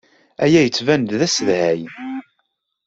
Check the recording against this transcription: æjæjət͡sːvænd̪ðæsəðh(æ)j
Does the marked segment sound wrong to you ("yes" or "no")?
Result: no